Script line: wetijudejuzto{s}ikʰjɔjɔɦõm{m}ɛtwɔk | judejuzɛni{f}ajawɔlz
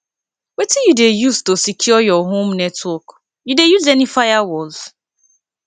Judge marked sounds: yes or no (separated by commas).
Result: yes, no, yes